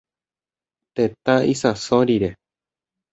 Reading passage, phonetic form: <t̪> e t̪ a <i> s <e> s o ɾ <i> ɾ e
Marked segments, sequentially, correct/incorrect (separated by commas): correct, correct, incorrect, correct